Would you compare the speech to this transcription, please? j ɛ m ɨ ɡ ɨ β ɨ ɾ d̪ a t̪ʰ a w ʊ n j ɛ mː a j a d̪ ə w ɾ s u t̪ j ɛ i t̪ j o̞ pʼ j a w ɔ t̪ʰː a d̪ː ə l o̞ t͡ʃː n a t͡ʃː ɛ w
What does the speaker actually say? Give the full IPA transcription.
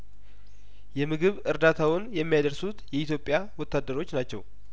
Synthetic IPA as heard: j ɛ m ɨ ɡ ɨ β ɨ ɾ d̪ a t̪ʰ a w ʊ n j ɛ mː i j a d̪ ə ɾ s u t̪ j ɛ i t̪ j o̞ pʼ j a w ɔ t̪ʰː a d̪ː ə ɾ o̞ t͡ʃː n a t͡ʃː ɛ w